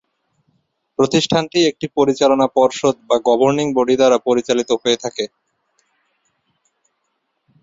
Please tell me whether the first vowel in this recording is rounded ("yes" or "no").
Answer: yes